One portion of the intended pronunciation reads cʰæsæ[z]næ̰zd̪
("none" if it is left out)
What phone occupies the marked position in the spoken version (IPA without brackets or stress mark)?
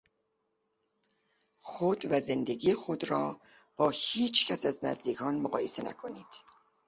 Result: z